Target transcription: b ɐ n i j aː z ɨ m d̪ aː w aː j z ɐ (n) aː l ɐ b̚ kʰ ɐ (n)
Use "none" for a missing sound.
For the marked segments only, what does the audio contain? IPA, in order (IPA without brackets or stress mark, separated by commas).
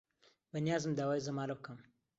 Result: m, m